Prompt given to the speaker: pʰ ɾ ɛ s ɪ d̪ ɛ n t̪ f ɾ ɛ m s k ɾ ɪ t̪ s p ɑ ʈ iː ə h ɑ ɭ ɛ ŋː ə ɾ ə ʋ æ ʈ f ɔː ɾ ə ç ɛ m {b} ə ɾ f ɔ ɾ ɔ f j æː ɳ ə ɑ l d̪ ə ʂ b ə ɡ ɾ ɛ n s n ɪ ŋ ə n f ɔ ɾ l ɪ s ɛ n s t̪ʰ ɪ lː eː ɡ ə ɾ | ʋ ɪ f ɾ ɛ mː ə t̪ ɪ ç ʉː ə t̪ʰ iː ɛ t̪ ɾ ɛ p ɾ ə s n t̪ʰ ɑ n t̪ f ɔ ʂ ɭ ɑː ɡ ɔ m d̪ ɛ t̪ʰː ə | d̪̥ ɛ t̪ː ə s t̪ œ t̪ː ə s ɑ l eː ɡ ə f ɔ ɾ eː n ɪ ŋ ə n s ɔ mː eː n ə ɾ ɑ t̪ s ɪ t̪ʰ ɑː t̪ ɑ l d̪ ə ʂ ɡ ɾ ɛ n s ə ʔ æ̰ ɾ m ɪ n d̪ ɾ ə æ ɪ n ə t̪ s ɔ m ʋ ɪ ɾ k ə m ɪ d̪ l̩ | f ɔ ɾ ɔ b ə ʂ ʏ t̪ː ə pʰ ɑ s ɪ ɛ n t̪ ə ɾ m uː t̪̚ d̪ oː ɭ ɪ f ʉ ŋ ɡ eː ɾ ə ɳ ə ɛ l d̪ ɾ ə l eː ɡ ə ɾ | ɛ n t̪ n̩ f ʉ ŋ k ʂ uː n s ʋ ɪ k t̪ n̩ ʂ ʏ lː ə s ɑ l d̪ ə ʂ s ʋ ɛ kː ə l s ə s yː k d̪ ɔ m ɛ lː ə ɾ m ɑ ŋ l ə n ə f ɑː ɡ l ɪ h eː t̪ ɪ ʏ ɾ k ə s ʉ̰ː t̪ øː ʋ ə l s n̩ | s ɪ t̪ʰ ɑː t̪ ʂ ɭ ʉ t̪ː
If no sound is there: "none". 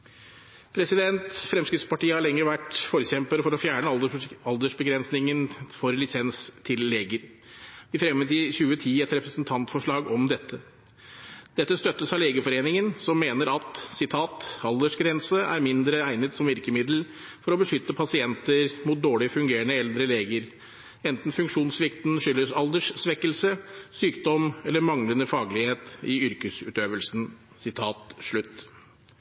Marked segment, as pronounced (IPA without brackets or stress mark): p